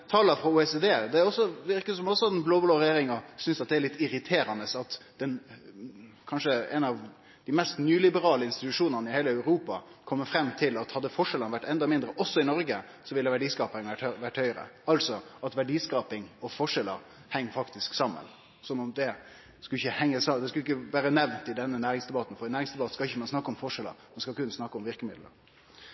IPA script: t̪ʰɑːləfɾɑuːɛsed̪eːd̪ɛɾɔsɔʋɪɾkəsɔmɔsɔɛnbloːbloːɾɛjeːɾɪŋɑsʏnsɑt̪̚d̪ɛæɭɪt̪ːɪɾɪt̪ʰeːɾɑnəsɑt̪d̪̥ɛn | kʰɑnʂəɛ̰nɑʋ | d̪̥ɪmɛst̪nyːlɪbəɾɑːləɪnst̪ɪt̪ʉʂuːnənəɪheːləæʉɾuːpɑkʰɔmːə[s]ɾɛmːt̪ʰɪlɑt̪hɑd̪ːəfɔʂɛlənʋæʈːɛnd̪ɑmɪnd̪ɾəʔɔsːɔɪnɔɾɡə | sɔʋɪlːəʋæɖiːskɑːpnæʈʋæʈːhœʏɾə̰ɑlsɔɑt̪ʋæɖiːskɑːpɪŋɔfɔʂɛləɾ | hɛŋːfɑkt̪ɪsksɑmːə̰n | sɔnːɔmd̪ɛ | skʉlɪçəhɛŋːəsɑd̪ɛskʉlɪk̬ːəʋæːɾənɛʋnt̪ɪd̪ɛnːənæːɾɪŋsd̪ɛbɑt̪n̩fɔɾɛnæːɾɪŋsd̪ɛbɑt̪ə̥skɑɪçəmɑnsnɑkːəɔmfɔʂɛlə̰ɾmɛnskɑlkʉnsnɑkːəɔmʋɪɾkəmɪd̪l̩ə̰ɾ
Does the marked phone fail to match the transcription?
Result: yes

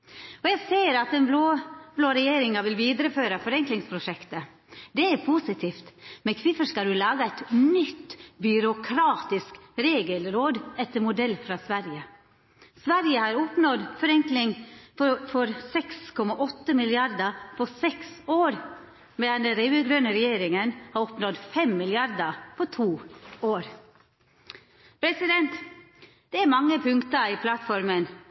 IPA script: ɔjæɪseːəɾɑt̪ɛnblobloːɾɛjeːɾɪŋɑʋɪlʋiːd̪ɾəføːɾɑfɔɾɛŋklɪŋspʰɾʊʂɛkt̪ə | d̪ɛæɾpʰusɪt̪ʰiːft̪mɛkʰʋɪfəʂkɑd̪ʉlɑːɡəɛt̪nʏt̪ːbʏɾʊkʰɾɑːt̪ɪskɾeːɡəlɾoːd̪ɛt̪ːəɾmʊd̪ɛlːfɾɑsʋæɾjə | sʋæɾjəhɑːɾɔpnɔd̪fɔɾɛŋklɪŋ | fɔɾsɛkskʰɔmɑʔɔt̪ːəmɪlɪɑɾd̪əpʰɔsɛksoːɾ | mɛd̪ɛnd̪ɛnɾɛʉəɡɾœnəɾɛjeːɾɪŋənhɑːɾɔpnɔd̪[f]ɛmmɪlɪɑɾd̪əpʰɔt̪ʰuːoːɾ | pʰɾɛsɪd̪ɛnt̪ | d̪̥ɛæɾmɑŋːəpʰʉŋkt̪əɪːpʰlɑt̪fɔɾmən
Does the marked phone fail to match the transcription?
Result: no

